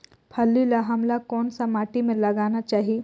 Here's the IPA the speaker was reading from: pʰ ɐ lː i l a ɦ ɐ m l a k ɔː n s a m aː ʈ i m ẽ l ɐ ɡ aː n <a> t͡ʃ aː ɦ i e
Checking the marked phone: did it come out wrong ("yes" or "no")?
no